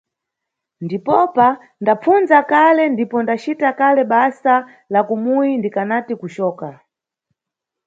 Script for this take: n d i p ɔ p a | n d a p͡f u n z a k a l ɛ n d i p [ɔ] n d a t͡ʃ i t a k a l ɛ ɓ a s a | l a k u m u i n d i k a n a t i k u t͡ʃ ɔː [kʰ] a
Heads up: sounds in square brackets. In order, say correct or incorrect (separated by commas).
correct, incorrect